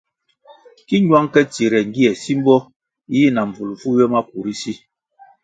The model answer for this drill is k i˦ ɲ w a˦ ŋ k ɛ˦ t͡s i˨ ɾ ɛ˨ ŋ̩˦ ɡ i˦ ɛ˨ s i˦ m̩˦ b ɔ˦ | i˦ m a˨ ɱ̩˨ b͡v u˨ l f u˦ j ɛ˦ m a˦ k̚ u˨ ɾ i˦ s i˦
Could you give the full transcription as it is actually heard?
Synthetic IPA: k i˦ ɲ w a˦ ŋ k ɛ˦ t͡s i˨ ɾ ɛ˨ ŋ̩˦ ɡ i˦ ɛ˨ s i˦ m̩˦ b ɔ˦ | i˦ n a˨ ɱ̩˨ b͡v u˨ l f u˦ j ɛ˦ m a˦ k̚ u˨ ɾ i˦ s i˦